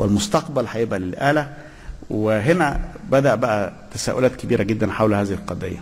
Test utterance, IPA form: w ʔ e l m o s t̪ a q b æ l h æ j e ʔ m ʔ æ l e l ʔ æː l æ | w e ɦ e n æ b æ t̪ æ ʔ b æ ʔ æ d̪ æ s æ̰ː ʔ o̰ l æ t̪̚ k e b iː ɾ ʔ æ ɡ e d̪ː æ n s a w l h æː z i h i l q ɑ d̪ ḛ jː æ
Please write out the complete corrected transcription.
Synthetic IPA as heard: w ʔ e l m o s t̪ ɑ q b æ l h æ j e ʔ b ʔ æ l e l ʔ æː l æ | w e ɦ e n æ b æ d̪ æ ʔ b æ ʔ æ t̪ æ s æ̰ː ʔ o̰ l æː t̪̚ k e b iː ɾ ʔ æ ɡ e d̪ː æ n ħ a w l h æː z i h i l q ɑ d̪ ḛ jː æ